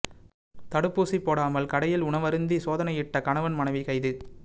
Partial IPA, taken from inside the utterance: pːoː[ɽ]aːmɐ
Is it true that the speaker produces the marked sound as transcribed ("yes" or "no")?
yes